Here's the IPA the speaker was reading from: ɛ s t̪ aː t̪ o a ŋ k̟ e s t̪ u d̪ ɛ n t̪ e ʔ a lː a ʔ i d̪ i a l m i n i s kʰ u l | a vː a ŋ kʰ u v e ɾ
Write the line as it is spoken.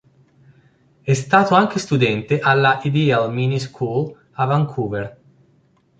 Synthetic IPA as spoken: ɛ s t̪ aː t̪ o a ŋ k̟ e s t̪ u d̪ ɛ n t̪ e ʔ a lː a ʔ i d̪ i a l m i n i s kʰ u l | a v a ŋ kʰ u v e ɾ